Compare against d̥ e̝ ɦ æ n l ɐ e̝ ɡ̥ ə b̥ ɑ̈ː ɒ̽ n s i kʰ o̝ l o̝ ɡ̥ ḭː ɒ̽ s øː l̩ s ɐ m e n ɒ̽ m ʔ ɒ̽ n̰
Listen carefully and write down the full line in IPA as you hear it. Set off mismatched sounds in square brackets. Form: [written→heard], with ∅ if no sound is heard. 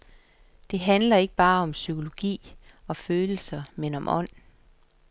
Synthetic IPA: d̥ e̝ ɦ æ n l ɐ e̝ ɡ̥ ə b̥ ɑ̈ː ɒ̽ [n→m] s [i→y] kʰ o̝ l o̝ ɡ̥ ḭː ɒ̽ [s→f] øː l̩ s ɐ m e n ɒ̽ m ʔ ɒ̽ n̰